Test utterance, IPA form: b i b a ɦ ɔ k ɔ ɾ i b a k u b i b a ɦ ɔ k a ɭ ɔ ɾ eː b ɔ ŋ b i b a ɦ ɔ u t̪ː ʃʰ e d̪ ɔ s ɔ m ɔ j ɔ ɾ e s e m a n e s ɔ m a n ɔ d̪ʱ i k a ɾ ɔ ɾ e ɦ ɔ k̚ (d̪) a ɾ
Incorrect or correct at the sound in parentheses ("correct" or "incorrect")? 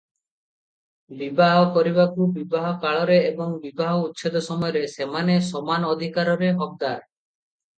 correct